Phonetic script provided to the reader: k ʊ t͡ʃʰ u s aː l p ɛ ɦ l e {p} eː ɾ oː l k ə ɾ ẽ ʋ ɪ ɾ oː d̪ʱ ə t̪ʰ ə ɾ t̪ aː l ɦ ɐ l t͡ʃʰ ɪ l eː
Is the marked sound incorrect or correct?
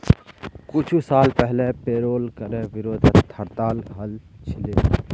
correct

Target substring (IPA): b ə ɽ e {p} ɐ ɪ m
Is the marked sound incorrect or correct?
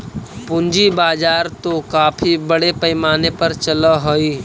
correct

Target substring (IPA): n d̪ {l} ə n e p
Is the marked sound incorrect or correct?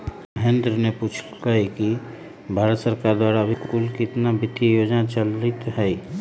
incorrect: ɾ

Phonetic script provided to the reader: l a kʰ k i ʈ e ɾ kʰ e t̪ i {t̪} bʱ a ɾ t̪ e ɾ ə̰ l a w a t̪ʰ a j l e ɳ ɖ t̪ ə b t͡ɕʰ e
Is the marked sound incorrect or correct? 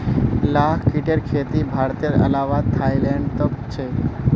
incorrect: none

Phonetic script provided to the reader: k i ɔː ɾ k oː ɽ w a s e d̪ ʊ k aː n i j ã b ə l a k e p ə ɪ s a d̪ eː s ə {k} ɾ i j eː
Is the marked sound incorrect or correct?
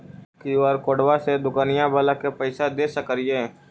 correct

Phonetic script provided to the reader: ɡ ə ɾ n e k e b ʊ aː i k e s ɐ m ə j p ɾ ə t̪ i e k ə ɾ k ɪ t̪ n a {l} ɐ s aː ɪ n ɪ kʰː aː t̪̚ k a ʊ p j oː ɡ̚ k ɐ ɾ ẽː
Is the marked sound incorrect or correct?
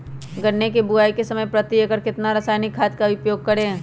incorrect: ɾ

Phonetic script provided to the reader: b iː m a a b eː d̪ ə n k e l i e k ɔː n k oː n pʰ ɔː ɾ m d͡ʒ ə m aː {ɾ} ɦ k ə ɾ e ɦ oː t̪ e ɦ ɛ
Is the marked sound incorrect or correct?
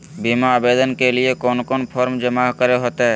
incorrect: none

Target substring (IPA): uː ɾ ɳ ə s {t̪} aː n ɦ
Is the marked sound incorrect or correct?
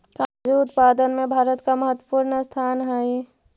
incorrect: t̪ʰ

